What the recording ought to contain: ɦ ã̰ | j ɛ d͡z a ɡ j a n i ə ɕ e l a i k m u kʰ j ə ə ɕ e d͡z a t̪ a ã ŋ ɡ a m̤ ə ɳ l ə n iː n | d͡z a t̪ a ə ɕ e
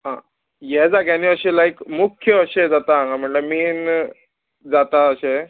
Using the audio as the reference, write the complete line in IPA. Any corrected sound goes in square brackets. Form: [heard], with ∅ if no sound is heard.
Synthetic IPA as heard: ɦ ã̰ | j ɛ d͡z a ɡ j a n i ə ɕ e l a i k m u kʰ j ə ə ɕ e d͡z a t̪ a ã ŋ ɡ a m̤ ə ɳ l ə [m] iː n | d͡z a t̪ a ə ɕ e